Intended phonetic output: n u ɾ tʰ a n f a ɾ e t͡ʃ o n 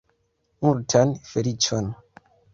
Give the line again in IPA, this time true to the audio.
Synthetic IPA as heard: m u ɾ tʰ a n f e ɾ i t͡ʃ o n

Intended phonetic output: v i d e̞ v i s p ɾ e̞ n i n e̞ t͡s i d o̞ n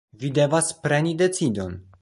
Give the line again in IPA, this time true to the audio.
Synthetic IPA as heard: v i d e̞ v a s p ɾ e̞ n i d e̞ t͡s i d o̞ n

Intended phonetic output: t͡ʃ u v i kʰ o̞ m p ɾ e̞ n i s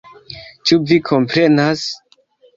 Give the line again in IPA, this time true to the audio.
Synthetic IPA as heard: t͡ʃ u v i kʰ o̞ m p ɾ e̞ n a s

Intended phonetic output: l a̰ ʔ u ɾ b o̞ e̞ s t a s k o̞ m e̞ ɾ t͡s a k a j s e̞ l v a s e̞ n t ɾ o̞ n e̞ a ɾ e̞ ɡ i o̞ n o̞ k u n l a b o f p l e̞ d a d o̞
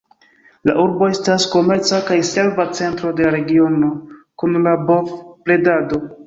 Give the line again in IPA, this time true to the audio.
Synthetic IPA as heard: l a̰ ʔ u ɾ b o̞ e̞ s t a s k o̞ m e̞ ɾ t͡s a k a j s e̞ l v a t͡s e̞ n t ɾ o̞ d e̞ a ɾ e̞ ɡ i o̞ n o̞ k u n l a b o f p l e̞ d a d o̞

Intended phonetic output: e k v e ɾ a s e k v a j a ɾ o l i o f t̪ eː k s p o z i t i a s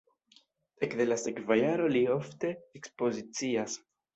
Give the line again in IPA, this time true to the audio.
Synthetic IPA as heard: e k ð e l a s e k v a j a ɾ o l i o f t̪ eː k s p o z i t͡s i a s

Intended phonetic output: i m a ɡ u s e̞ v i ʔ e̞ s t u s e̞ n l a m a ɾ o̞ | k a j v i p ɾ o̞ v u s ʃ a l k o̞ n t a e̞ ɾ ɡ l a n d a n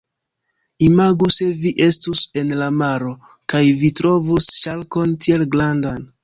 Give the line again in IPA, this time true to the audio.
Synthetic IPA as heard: i m a ɡ u s e̞ v i ʔ e̞ s t u s e̞ n l a m a ɾ o̞ | k a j v i t ɾ o̞ v u s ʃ a l k o̞ n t i e̞ l ɡ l a n d a n

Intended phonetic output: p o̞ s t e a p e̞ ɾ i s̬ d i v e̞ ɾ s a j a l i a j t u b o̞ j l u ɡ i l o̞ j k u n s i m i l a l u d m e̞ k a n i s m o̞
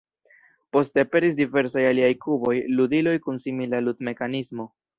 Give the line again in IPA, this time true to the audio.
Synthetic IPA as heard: p o̞ s t e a p e̞ ɾ i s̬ d i v e̞ ɾ s a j a l i a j k u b o̞ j l u d i l o̞ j k u n s i m i l a l u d m e̞ k a n i s m o̞

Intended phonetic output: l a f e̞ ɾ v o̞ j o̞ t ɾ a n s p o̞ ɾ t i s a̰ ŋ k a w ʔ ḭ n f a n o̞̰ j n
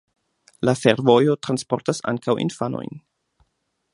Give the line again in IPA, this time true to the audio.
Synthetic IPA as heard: l a f e̞ ɾ v o̞ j o̞ t ɾ a n s p o̞ ɾ t a s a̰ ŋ k a w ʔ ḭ n f a n o̞̰ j n

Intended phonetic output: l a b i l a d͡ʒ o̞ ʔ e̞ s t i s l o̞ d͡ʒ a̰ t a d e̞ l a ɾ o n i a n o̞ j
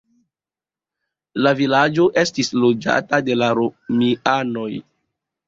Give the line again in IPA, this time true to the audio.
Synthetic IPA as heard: l a v i l a d͡ʒ o̞ ʔ e̞ s t i s l o̞ d͡ʒ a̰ t a d e̞ l a ɾ o m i a n o̞ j

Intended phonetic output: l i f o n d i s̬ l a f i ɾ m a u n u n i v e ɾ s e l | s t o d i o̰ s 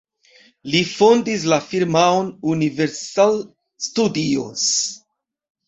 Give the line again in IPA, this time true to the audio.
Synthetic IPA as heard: l i f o n d i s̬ l a f i ɾ m a o n u n i v e ɾ s a l | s t u d i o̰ s

